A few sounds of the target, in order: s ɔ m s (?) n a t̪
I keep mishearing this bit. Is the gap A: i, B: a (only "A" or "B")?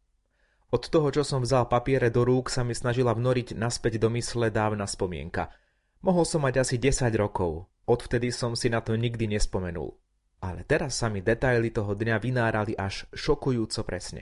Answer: A